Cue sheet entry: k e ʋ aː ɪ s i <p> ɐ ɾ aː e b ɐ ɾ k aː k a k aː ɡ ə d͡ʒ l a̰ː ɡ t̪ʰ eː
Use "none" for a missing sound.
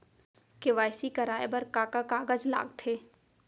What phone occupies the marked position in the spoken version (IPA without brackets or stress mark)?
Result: k